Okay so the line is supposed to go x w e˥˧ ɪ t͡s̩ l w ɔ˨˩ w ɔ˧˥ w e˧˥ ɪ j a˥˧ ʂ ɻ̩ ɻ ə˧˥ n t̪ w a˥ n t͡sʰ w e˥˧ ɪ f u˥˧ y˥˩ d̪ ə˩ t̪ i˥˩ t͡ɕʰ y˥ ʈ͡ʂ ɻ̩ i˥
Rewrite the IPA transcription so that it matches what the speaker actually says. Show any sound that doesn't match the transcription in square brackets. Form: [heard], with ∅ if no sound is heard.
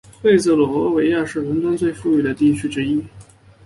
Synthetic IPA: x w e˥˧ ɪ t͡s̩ l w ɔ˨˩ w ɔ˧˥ w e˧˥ ɪ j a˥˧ ʂ ɻ̩ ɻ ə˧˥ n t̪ w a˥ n [t͡s] w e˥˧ ɪ f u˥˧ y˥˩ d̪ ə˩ t̪ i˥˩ t͡ɕʰ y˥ ʈ͡ʂ ɻ̩ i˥